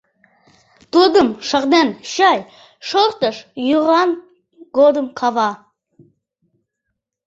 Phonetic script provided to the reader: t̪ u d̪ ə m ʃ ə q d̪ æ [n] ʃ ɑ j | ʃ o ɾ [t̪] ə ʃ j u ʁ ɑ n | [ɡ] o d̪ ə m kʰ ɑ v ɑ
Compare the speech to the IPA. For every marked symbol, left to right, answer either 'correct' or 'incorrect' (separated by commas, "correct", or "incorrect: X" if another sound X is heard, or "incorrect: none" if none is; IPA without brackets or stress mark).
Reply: correct, correct, correct